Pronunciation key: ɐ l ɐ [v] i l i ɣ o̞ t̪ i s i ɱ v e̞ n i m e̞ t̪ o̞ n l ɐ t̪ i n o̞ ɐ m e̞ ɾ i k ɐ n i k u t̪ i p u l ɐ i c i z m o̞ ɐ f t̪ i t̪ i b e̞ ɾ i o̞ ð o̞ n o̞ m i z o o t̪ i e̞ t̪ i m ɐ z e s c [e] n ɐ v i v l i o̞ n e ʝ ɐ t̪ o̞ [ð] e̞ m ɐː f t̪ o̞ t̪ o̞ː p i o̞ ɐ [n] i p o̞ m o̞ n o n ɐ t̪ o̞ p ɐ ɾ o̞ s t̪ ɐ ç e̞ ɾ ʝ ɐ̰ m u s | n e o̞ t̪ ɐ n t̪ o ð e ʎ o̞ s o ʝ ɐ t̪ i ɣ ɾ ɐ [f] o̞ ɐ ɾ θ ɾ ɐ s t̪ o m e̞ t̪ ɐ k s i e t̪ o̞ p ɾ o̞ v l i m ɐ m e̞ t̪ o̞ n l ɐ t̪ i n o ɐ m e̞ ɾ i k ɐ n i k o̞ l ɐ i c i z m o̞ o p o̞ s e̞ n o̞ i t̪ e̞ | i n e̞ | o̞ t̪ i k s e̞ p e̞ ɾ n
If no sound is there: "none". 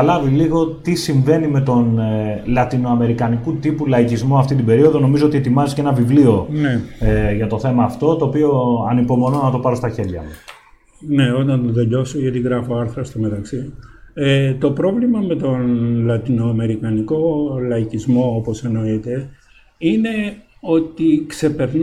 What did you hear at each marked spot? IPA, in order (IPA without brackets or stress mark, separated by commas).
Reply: v, e, θ, n, f